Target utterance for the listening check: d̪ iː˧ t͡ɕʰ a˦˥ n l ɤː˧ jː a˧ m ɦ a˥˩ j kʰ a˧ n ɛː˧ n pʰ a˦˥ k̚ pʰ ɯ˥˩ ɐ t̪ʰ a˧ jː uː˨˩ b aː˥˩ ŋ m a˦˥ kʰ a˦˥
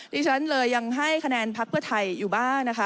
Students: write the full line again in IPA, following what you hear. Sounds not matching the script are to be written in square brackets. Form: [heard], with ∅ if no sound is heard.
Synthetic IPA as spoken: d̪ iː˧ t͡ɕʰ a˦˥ n l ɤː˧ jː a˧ [ŋ] ɦ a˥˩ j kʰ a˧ n ɛː˧ n pʰ a˦˥ k̚ pʰ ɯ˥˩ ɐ t̪ʰ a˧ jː uː˨˩ b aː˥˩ ŋ [n] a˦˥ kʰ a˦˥